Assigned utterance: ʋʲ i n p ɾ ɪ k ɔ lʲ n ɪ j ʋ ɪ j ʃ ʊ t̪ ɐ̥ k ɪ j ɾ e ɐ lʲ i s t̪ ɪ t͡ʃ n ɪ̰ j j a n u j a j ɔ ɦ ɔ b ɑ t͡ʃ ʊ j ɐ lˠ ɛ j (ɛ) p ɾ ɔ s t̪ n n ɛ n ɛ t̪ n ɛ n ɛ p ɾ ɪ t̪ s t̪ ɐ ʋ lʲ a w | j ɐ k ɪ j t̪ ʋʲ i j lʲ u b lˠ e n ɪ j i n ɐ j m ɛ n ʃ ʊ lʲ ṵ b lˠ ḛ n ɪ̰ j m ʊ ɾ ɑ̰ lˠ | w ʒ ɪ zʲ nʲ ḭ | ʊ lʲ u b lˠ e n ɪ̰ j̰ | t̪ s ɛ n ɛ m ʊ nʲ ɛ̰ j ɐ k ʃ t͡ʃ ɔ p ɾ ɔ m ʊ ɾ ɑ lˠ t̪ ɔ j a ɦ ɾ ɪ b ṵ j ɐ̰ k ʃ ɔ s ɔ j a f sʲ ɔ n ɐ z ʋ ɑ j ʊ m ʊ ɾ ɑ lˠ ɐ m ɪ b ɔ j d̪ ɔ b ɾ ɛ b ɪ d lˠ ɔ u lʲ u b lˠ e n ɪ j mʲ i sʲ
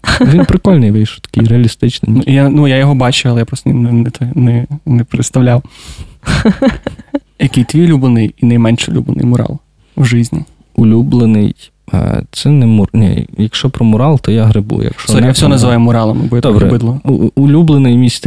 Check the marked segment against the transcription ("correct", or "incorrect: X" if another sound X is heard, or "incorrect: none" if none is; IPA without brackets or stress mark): incorrect: a